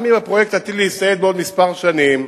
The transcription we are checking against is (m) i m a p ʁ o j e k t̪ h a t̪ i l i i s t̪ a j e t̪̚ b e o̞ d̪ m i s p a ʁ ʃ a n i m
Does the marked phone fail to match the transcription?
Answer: no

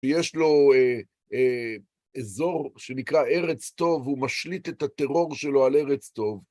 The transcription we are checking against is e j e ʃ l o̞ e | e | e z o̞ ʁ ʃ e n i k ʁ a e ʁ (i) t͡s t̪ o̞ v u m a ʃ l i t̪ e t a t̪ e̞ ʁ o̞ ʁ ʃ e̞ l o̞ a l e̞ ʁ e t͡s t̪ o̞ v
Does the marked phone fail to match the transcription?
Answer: yes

